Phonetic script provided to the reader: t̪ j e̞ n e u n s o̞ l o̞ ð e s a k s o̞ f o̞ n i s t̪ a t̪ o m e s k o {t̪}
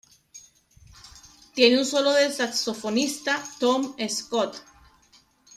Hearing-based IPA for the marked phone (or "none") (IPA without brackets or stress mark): t̪